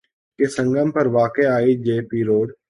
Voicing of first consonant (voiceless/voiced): voiceless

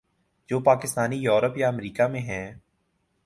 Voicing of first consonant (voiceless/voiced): voiced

